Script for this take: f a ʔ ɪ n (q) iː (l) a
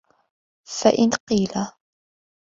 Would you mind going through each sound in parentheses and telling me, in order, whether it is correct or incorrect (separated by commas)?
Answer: correct, correct